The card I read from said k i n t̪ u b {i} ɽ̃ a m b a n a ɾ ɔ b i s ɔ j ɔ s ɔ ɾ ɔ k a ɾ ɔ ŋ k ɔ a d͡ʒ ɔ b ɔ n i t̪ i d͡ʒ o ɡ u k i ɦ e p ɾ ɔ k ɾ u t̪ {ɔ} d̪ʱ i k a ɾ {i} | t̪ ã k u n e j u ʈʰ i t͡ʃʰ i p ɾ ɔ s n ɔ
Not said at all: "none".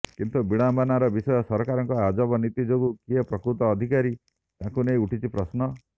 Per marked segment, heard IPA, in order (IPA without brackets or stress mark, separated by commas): i, ɔː, i